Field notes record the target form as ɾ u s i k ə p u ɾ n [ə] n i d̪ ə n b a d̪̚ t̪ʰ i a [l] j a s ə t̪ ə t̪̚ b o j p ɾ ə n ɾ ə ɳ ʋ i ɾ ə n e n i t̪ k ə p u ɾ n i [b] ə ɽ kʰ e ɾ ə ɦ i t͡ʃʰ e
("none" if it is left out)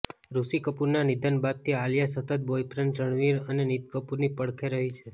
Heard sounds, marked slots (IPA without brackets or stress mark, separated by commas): a, l, p